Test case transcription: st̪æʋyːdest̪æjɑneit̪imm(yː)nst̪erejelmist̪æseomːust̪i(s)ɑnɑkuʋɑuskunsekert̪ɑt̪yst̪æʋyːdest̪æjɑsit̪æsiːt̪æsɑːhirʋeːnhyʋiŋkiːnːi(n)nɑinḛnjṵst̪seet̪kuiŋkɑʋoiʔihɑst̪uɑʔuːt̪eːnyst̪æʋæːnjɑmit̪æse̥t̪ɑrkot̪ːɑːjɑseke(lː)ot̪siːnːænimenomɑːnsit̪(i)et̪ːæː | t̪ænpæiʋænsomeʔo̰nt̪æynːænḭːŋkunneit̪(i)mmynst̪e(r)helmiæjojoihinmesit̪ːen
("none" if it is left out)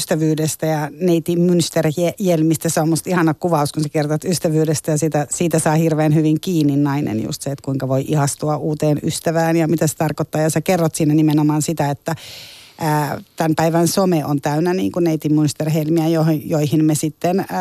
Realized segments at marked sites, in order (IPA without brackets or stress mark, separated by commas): y, h, n, rː, æ, i, r